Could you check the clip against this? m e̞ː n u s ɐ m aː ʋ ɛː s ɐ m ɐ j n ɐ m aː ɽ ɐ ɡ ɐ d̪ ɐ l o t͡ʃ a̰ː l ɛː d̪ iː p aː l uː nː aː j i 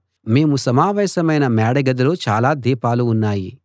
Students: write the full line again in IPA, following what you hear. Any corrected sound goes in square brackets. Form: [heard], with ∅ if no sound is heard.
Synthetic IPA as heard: m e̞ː [m] u s ɐ m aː ʋ ɛː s ɐ m ɐ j n ɐ m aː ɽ ɐ ɡ ɐ d̪ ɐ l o t͡ʃ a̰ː l [aː] d̪ iː p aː l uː nː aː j i